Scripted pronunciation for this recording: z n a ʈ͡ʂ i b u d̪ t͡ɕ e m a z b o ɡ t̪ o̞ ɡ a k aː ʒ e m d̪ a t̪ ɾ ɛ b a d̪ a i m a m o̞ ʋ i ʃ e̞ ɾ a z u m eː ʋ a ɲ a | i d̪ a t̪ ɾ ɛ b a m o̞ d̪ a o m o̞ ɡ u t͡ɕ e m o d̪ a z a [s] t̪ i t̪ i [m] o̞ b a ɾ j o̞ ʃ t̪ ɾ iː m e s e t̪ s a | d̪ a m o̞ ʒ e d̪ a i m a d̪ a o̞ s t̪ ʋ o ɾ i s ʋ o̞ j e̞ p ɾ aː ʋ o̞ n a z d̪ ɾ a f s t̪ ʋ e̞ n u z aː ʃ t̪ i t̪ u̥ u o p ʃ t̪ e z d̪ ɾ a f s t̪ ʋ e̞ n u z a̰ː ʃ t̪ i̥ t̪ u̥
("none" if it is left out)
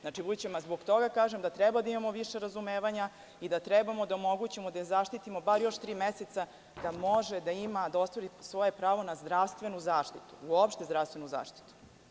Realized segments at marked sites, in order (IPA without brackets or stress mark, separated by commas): ʃ, m